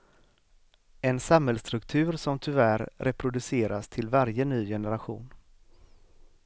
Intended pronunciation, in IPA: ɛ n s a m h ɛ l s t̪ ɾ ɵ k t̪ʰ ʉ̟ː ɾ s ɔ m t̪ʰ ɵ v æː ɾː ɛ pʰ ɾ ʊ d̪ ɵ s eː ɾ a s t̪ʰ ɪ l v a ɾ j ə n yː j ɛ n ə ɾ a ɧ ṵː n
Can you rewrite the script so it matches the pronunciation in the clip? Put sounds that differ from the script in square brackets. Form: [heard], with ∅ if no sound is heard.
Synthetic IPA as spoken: ɛ n s a m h ɛ l s t̪ ɾ ɵ k t̪ʰ ʉ̟ː ɾ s ɔ m t̪ʰ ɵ v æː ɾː ɛ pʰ ɾ ʊ d̪ ɵ s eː ɾ a s t̪ʰ ɪ l v a ɾ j ə n yː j ɛ n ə ɾ a ɧ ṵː n